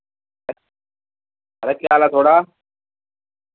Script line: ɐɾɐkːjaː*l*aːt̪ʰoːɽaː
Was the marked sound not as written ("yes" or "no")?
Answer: no